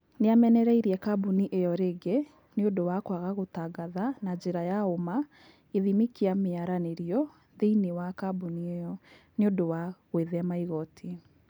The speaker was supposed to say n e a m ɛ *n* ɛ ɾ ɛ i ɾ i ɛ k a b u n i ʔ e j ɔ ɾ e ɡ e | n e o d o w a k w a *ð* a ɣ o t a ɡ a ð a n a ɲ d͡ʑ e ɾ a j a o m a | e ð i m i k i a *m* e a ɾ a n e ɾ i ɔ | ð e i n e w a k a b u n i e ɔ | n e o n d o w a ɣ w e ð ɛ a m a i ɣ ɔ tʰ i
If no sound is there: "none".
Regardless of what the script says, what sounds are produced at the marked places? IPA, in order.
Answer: n, ɣ, m

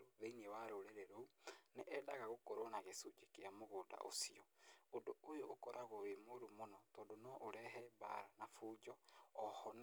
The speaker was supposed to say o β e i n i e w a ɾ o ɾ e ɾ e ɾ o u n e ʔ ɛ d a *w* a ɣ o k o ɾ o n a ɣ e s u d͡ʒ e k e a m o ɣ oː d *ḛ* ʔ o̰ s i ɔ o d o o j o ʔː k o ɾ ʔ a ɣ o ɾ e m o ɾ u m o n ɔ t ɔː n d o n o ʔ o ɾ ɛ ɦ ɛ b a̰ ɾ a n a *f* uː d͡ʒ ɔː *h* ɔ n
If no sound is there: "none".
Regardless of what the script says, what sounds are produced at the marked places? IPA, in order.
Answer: ɣ, a̰, f, h

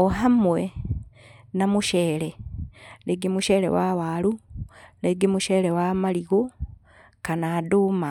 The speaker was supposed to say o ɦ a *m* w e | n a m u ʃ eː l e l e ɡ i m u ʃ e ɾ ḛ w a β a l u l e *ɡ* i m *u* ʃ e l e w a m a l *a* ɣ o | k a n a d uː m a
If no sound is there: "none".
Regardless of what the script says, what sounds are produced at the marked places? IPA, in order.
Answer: m, ɡ, u, i

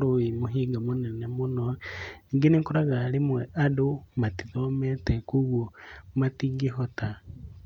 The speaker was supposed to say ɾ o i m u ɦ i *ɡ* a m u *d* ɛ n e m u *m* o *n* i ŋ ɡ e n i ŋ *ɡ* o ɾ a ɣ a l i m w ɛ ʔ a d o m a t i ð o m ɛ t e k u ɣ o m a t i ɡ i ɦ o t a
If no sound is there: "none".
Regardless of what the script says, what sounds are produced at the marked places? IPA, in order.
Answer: ɡ, n, n, n, k

